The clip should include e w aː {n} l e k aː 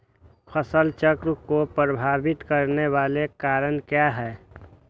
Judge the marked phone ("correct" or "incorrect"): incorrect